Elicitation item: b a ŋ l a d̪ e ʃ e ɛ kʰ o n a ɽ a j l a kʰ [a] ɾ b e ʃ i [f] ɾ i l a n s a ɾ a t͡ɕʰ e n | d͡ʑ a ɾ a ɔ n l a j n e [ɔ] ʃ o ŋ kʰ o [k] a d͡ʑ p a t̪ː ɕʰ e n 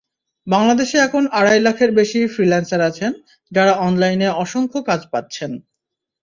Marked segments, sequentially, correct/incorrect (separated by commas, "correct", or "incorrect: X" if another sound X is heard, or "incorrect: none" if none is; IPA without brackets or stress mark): incorrect: e, correct, correct, correct